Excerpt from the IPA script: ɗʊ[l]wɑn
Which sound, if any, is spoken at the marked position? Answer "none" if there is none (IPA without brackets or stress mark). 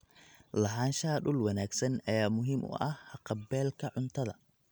l